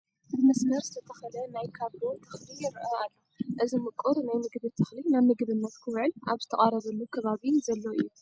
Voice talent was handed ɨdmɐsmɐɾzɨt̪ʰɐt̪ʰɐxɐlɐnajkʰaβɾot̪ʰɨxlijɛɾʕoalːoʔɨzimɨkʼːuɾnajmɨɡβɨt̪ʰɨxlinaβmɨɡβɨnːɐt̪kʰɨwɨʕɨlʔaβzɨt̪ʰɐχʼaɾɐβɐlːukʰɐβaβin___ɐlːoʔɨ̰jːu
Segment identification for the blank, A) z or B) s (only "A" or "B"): A